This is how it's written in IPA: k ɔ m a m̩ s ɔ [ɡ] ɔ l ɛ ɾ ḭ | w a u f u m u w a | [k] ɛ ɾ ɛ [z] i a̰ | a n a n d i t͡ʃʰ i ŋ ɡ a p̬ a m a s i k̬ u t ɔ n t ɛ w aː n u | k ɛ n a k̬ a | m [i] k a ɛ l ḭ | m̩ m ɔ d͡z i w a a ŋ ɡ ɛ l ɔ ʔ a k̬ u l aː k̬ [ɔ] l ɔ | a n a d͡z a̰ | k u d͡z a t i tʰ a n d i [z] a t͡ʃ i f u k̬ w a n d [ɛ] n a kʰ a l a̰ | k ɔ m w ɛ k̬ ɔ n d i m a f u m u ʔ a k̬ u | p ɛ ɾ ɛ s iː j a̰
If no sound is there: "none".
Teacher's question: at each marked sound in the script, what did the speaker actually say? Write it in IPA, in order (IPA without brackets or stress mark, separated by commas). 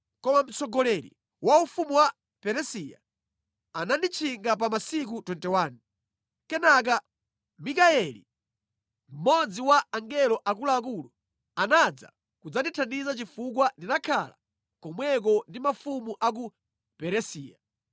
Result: ɡ, p, s, i, u, z, i